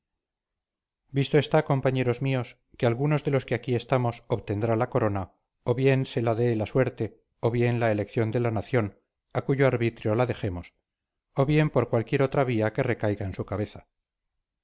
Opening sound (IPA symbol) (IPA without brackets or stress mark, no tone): b